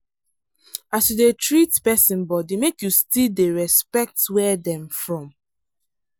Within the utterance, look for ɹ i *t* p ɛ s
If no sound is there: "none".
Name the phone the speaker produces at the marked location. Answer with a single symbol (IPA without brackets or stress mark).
t